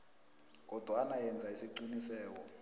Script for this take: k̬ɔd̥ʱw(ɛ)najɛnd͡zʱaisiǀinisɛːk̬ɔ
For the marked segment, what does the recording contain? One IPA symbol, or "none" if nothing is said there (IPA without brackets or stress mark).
a